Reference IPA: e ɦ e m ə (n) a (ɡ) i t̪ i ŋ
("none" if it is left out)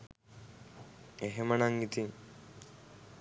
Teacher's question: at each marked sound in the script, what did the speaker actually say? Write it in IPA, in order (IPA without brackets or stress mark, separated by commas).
n, ŋ